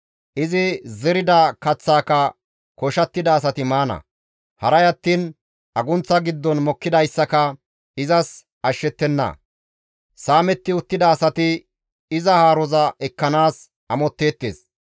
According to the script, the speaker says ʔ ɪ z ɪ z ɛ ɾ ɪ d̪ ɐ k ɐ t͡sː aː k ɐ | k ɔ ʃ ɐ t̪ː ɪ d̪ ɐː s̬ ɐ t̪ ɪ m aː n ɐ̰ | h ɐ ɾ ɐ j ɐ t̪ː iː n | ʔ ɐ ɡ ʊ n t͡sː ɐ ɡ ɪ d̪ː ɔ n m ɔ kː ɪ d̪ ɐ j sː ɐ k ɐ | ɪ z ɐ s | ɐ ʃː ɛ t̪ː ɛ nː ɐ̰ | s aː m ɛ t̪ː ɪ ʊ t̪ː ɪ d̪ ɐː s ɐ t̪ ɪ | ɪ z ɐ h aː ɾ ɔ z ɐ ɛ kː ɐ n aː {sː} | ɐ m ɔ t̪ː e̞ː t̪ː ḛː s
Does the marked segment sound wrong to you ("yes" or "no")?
yes